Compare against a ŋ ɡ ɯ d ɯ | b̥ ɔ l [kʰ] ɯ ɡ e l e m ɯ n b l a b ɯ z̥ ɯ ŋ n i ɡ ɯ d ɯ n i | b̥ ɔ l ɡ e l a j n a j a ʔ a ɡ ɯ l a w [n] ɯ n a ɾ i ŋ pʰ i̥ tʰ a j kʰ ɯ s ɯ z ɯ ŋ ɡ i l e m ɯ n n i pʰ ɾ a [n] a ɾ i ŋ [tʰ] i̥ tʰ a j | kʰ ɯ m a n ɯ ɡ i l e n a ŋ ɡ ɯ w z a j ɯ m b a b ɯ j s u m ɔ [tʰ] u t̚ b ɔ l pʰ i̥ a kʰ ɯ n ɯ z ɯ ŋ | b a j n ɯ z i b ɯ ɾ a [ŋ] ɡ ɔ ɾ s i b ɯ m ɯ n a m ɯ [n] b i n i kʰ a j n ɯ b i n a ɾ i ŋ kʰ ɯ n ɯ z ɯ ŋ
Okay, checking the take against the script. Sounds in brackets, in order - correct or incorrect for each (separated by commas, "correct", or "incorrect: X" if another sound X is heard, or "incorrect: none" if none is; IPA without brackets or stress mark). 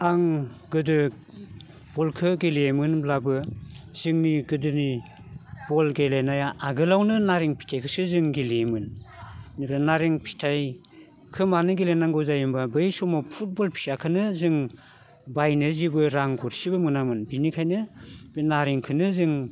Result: correct, correct, correct, incorrect: pʰ, incorrect: pʰ, correct, correct